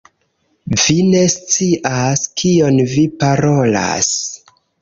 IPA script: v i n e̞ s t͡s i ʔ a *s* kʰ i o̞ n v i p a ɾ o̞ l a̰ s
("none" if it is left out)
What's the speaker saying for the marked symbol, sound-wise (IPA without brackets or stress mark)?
s